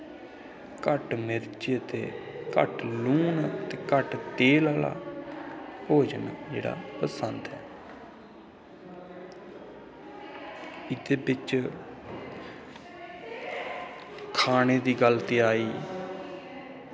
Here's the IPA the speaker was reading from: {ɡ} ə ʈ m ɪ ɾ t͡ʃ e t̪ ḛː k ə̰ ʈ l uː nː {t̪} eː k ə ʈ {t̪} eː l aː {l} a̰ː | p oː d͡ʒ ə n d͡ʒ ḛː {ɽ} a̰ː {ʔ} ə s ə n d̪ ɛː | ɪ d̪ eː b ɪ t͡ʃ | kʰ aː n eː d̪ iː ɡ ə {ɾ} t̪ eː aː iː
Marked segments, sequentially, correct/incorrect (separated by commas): incorrect, correct, correct, correct, correct, incorrect, incorrect